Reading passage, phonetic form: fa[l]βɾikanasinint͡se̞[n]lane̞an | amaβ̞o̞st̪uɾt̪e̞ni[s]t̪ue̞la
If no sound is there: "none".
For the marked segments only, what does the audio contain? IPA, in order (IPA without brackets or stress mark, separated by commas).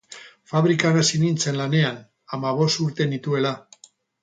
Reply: none, n, none